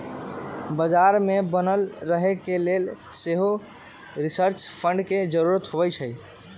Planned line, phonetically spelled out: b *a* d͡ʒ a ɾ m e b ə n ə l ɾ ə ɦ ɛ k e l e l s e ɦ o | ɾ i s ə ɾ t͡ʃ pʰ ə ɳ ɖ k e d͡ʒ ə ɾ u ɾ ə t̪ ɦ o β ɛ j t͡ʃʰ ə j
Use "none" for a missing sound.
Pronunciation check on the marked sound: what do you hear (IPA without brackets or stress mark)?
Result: ə